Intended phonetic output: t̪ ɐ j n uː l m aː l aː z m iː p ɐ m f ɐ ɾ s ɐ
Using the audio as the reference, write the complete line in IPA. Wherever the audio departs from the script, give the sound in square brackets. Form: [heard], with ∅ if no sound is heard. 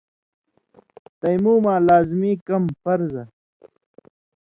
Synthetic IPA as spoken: t̪ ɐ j [m] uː [∅] m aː l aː z m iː [k] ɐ m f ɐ ɾ [z] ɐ